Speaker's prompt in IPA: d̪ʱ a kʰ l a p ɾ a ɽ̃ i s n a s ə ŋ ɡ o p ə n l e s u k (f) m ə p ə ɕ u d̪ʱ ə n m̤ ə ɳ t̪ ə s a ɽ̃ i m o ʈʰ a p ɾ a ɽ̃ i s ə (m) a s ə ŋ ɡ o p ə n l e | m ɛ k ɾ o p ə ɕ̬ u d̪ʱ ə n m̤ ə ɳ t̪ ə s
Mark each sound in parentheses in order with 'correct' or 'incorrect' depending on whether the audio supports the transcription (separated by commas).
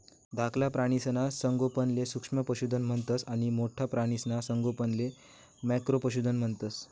incorrect, incorrect